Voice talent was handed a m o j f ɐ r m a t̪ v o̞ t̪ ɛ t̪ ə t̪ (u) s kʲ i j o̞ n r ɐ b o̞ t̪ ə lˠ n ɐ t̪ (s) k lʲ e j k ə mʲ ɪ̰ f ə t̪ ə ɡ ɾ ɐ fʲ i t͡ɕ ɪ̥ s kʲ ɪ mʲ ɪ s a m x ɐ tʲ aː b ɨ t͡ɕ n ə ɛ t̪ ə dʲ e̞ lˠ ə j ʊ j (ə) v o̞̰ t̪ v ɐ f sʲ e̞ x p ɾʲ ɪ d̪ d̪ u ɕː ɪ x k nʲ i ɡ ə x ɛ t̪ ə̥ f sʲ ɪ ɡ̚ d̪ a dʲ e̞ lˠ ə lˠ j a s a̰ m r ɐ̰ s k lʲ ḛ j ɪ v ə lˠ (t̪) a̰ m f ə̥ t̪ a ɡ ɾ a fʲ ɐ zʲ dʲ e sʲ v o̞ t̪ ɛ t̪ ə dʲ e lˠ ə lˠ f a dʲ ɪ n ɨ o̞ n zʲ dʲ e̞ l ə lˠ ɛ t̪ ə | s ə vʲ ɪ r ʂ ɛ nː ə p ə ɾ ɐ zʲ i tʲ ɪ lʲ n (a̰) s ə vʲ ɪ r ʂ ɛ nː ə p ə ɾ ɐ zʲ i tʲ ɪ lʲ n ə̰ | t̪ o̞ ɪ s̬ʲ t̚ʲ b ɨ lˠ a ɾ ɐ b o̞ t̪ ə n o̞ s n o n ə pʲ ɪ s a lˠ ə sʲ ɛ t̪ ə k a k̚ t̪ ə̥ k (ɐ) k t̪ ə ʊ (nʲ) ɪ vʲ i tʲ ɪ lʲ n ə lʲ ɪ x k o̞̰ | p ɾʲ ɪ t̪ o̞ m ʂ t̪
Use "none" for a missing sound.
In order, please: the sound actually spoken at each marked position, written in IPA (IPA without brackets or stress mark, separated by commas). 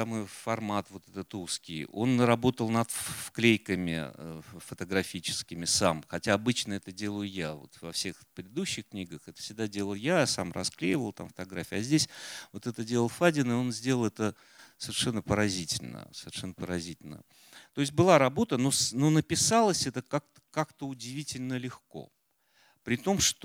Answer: u, f, a, t̪, ə̰, a, dʲ